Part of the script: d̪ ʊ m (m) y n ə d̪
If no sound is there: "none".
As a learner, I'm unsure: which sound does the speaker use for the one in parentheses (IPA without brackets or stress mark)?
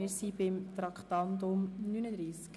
n